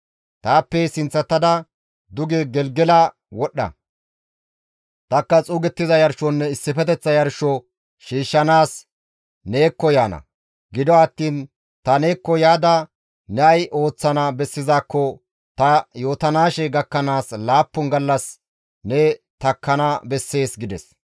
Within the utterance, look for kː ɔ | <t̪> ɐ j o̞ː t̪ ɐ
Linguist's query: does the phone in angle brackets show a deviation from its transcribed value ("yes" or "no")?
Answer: no